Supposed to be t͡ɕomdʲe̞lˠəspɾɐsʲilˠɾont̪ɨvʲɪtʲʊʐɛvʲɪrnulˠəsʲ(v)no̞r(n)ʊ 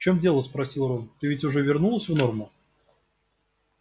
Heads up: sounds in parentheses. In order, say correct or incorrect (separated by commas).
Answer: correct, incorrect